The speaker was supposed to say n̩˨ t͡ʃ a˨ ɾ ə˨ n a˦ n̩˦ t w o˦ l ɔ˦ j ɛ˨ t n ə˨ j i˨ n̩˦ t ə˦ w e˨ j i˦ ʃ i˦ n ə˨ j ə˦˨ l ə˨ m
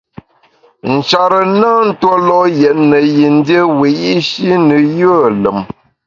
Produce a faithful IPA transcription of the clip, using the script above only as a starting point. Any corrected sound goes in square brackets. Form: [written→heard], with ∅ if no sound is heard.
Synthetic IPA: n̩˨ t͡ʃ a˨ ɾ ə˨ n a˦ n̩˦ t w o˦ l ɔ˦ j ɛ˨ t n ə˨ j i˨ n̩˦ [t→d] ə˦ w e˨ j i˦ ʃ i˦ n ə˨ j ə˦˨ l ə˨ m